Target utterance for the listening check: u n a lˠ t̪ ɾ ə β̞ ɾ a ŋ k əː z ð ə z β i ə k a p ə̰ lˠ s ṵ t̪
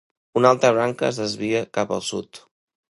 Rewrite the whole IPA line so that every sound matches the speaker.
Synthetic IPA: u n a lˠ t̪ ɾ ə β̞ ɾ a ŋ k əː z ð ə z β i ə k a p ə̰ lˠ s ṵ t̪